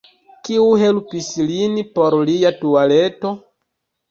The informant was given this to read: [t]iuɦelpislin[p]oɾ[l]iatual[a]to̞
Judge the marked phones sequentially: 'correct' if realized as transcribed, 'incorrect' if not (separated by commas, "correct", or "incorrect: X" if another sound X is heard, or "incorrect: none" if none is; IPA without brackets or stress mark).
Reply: incorrect: k, correct, correct, incorrect: e